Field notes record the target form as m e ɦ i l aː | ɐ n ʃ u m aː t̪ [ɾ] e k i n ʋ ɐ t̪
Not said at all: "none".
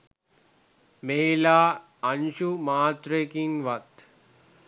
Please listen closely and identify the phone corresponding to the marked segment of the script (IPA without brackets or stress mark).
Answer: ɾ